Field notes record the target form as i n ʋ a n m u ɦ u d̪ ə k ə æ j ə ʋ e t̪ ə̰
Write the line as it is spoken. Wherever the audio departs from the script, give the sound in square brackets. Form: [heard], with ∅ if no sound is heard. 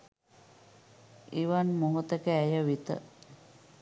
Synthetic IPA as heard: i [∅] ʋ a n m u ɦ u [t̪] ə k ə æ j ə ʋ [i] t̪ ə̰